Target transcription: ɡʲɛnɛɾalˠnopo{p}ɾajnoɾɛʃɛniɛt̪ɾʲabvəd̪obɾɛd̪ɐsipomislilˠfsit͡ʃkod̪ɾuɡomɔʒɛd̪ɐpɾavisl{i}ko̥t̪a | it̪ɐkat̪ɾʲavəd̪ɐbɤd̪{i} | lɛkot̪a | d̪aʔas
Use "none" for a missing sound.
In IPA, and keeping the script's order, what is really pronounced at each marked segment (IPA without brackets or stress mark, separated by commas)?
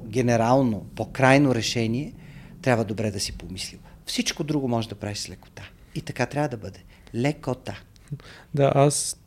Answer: k, ɛ, ɛ